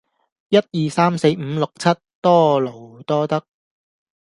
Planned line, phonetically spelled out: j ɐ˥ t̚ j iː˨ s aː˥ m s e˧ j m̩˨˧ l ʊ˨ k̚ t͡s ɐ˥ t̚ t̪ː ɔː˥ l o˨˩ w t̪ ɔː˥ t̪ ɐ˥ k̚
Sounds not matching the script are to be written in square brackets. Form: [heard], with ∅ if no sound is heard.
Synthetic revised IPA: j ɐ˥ t̚ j iː˨ s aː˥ m s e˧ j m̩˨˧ l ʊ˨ k̚ [t͡sʰ] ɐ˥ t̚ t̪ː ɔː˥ l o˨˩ w t̪ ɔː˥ t̪ ɐ˥ k̚